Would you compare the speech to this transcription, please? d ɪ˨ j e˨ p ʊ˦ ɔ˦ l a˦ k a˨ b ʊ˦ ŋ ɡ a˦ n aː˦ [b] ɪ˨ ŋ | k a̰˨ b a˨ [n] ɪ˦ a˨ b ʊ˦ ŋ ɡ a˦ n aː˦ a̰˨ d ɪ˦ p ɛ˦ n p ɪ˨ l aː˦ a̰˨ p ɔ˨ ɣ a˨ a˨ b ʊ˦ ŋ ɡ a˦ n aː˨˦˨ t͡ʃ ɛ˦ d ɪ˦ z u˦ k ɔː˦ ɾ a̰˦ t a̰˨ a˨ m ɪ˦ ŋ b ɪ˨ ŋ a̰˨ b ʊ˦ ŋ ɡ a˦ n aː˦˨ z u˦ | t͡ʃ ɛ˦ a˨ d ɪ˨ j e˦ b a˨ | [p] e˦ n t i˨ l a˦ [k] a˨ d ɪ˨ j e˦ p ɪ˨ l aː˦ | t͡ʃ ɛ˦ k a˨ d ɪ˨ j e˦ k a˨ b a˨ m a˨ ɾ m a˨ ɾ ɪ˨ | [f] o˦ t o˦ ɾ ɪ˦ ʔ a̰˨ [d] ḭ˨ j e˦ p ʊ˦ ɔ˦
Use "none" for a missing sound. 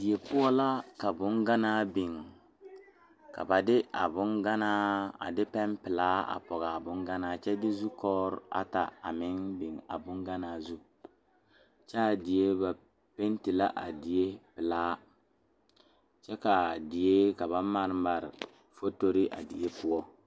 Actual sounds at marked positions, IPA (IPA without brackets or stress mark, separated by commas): b, d, p, ʔ, f, d